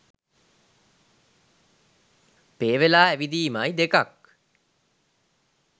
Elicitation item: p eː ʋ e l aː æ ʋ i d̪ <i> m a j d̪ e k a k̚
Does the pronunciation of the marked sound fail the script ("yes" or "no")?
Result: yes